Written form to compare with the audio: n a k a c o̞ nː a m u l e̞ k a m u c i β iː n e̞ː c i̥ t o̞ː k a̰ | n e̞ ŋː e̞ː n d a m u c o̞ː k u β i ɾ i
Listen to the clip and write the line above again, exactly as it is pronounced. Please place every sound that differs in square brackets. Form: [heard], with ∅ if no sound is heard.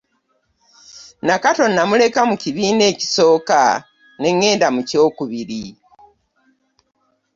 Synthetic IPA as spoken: n a k a [t] o̞ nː a m u l e̞ k a m u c i β iː n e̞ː c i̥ [s] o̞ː k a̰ | n e̞ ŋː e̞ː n d a m u c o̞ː k u β i ɾ i